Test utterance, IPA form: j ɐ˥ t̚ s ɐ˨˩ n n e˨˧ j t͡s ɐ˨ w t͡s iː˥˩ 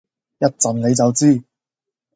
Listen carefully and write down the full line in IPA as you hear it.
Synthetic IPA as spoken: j ɐ˥ t̚ t͡s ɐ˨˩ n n e˨˧ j t͡s ɐ˨ w t͡s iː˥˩